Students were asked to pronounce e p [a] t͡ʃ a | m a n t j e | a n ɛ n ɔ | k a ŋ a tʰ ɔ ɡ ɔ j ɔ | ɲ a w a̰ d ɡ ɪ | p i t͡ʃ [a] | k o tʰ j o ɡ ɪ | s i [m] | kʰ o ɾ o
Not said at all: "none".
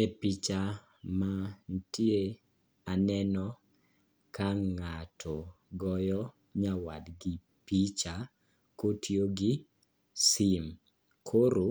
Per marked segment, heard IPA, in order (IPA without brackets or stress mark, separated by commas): i, a, m